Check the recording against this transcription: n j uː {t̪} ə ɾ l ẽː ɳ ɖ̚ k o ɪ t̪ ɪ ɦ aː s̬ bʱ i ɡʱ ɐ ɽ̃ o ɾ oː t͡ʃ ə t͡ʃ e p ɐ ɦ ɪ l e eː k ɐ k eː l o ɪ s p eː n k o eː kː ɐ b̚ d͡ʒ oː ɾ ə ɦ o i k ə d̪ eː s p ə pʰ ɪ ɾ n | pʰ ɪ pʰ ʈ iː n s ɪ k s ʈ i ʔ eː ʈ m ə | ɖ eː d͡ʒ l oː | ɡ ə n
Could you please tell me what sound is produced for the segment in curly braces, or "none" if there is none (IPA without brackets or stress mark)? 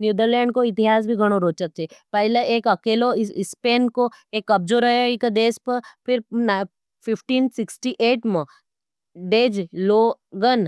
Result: d̪